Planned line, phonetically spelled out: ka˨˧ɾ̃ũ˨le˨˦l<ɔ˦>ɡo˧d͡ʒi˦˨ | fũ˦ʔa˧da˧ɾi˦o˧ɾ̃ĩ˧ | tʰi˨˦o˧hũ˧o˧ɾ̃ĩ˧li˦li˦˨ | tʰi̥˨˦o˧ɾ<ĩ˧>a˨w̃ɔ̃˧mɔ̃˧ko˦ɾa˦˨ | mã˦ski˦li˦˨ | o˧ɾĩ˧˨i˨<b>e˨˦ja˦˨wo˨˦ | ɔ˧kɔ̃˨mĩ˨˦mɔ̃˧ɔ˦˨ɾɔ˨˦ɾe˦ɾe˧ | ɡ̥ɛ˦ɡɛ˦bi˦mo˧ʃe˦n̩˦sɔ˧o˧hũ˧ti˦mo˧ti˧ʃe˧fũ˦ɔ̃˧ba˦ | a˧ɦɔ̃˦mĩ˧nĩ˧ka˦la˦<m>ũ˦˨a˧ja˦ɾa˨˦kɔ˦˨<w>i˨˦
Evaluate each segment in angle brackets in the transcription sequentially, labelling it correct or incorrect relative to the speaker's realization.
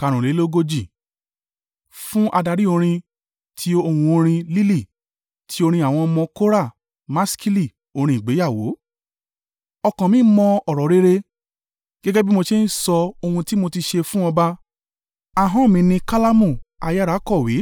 incorrect: o˦, correct, incorrect: ɡ͡b, correct, correct

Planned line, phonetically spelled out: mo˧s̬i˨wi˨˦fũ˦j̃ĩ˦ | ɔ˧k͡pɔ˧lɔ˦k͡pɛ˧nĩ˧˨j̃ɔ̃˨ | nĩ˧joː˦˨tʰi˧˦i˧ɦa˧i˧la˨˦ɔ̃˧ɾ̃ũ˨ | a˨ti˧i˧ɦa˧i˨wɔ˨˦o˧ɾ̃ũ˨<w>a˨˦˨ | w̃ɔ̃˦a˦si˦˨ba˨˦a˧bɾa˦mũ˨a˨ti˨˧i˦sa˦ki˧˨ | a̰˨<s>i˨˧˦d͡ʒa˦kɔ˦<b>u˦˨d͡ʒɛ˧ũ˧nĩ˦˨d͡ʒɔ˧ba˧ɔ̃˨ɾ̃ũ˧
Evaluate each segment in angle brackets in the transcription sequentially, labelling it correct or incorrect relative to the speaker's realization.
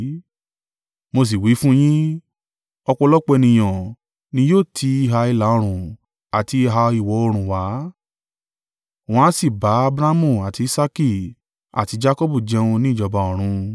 correct, incorrect: t, correct

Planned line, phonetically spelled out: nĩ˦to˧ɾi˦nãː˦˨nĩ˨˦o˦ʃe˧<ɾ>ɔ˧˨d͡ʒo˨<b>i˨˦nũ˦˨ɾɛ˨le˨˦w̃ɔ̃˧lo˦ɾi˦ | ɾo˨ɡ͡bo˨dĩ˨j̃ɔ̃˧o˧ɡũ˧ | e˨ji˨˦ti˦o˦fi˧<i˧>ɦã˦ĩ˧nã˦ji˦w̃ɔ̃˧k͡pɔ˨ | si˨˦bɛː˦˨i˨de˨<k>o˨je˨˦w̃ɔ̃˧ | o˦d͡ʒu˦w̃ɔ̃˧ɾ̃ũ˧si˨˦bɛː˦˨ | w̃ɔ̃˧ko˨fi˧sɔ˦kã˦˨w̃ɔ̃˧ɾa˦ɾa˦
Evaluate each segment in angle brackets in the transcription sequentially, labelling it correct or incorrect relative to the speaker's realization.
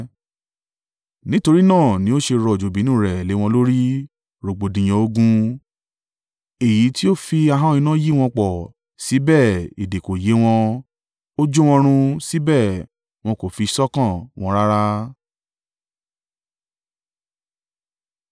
correct, correct, incorrect: a˧, correct

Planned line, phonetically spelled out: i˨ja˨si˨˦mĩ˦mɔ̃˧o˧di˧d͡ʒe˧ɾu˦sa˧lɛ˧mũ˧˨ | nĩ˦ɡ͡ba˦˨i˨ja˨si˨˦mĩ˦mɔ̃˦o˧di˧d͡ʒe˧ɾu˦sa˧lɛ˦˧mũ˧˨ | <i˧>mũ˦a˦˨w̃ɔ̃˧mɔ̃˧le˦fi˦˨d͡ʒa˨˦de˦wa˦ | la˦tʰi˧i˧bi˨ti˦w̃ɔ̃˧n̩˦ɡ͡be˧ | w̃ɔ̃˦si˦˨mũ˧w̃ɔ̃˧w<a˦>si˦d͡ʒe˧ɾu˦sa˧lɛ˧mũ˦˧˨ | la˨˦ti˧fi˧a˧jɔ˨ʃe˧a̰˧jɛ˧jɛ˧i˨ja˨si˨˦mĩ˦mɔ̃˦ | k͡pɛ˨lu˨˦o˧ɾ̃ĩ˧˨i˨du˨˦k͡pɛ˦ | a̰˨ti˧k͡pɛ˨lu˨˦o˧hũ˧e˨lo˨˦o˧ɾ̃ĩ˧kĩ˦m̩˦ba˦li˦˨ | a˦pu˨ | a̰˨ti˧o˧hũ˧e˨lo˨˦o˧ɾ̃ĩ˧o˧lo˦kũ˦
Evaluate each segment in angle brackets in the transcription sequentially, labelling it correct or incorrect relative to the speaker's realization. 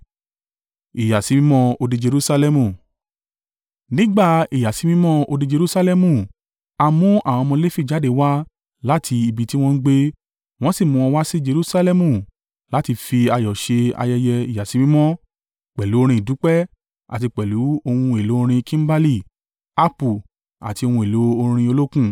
incorrect: a˧, correct

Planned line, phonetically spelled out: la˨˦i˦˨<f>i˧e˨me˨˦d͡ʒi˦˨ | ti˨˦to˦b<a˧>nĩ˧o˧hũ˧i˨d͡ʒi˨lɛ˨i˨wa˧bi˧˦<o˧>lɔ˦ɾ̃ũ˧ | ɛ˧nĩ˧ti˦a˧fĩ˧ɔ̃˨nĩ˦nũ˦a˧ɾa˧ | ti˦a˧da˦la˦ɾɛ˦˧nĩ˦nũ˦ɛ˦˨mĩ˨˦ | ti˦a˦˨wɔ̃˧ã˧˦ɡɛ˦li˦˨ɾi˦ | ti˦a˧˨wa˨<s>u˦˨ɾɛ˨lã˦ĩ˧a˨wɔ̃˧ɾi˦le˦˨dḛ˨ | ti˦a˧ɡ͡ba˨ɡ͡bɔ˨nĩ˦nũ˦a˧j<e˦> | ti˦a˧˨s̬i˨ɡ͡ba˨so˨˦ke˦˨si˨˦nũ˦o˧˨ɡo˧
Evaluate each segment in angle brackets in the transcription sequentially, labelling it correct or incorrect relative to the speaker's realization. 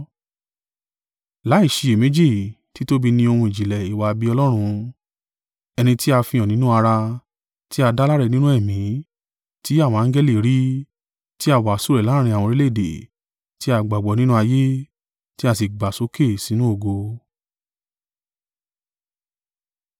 incorrect: ʃ, incorrect: i˧, incorrect: ɔ˧, correct, correct

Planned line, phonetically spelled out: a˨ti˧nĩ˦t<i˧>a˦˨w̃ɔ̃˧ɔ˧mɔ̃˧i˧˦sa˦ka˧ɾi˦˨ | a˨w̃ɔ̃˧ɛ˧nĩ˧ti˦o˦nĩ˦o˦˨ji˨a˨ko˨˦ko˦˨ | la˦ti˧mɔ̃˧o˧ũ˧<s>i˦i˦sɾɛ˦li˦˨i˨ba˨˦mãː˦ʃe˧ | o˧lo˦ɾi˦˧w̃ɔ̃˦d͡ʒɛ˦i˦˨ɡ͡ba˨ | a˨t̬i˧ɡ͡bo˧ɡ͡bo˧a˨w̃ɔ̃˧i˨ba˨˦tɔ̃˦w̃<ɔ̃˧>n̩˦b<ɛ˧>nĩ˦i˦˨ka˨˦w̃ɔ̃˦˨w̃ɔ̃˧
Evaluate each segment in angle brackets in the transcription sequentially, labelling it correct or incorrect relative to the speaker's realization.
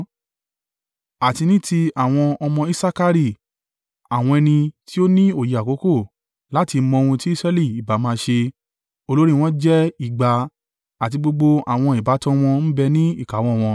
correct, incorrect: t, correct, correct

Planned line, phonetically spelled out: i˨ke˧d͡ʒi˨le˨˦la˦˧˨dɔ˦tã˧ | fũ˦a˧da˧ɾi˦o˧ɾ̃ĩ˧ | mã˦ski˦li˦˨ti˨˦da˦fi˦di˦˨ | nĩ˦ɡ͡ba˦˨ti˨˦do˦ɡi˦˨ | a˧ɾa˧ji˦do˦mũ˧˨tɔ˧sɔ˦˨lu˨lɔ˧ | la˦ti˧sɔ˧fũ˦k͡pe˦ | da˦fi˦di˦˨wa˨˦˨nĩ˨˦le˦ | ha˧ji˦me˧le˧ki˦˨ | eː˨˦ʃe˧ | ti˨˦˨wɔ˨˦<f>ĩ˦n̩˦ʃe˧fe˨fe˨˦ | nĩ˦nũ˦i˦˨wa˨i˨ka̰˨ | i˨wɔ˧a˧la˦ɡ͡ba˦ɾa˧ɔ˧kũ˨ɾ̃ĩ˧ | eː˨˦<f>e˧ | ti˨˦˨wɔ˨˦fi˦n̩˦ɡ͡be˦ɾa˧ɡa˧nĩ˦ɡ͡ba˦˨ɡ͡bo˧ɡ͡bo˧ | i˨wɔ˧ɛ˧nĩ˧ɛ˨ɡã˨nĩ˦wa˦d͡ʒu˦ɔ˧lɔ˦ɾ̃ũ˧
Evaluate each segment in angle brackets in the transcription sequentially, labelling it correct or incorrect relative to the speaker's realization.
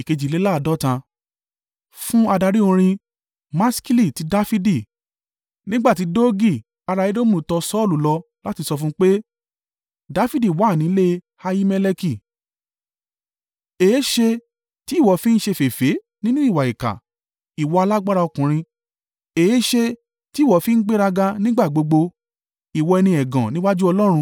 correct, incorrect: ʃ

